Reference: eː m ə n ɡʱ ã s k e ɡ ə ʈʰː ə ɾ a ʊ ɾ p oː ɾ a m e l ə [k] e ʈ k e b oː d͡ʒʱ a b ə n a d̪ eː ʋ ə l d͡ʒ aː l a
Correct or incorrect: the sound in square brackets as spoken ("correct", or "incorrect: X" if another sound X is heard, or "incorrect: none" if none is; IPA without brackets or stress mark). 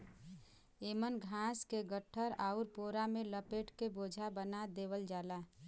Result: incorrect: p